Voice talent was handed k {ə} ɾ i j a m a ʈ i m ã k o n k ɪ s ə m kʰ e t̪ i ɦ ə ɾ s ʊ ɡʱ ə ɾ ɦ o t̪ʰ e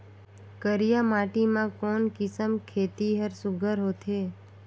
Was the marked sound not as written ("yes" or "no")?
no